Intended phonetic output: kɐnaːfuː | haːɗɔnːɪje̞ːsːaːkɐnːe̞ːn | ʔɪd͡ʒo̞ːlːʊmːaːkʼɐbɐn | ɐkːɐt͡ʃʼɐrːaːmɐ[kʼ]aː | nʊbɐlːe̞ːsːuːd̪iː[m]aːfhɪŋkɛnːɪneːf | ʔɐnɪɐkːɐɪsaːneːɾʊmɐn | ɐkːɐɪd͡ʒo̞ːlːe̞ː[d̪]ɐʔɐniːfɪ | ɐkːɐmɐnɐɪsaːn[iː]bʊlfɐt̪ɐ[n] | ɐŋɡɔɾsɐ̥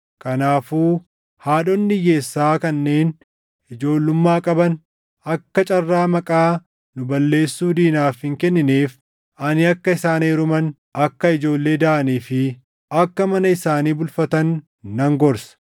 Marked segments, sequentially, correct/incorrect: correct, incorrect, correct, correct, incorrect

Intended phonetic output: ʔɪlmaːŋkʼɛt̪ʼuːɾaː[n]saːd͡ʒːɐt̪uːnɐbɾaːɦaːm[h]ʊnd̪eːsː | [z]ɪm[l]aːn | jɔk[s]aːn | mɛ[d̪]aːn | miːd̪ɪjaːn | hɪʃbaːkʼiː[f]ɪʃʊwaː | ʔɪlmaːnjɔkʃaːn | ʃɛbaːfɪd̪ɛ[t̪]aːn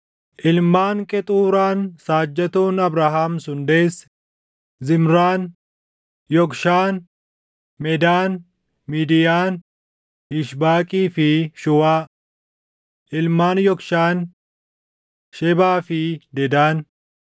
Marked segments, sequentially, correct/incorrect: correct, incorrect, correct, incorrect, incorrect, correct, correct, incorrect

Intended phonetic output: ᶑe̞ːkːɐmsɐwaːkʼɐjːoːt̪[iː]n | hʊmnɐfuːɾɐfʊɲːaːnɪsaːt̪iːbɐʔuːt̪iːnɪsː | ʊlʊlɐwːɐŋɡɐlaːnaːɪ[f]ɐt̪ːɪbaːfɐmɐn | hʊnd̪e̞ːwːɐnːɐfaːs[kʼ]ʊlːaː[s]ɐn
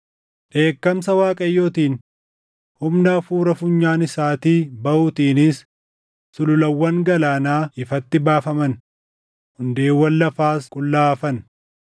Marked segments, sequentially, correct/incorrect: correct, correct, correct, incorrect

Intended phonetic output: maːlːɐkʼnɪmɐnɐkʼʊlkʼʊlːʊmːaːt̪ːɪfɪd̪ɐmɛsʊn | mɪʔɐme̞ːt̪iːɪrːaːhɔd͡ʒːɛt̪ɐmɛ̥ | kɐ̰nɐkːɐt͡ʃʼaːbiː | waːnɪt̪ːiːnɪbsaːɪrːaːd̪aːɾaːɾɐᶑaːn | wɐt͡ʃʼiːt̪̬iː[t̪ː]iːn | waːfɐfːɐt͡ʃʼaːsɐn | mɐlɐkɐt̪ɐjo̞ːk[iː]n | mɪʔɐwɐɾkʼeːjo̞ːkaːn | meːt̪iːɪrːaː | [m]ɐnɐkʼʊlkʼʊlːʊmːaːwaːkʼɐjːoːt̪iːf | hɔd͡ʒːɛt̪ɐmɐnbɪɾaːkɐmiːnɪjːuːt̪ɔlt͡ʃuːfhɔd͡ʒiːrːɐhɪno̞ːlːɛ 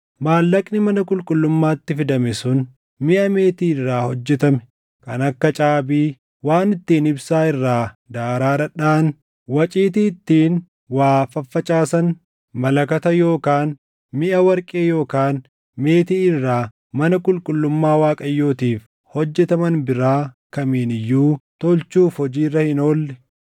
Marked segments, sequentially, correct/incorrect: correct, incorrect, correct

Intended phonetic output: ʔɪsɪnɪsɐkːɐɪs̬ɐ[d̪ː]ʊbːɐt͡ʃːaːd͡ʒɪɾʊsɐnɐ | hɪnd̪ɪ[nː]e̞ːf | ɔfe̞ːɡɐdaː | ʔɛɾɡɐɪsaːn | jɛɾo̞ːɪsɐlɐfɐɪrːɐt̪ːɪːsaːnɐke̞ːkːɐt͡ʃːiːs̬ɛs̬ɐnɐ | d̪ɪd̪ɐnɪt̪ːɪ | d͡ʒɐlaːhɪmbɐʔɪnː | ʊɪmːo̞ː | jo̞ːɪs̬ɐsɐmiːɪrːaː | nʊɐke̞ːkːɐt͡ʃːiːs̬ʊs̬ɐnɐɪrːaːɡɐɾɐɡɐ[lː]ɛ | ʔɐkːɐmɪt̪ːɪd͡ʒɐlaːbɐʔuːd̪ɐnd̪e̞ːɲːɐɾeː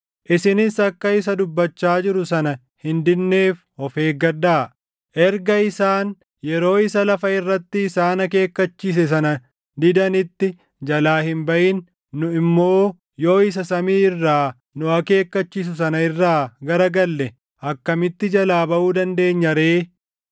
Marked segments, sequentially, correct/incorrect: incorrect, correct, correct

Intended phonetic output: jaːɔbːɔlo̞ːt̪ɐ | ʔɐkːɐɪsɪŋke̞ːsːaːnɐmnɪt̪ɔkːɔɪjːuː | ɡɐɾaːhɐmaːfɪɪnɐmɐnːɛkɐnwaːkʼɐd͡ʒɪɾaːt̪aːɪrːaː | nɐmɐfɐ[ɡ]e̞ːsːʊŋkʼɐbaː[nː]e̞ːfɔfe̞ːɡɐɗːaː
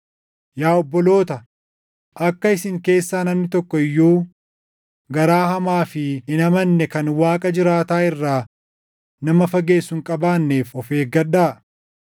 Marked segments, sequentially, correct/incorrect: correct, correct

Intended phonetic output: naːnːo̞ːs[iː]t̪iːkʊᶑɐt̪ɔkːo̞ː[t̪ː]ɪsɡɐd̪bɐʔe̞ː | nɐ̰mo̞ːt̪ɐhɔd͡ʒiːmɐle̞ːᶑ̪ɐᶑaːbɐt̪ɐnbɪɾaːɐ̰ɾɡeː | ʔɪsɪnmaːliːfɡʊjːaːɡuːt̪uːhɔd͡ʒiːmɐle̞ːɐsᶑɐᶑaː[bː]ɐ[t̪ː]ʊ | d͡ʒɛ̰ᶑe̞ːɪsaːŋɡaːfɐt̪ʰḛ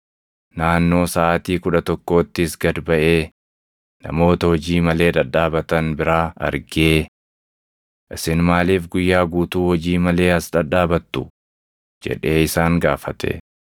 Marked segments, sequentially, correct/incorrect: incorrect, correct, incorrect, correct

